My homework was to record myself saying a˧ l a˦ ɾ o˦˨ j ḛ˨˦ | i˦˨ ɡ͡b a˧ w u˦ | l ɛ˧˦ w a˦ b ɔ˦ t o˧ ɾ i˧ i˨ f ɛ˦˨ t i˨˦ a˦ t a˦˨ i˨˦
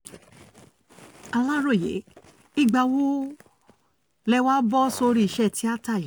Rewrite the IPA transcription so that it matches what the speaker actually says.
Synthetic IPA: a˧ l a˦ ɾ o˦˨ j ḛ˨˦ | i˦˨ ɡ͡b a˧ w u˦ | l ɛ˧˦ w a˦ b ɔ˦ s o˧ ɾ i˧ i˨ ʃ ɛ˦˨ t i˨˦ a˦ t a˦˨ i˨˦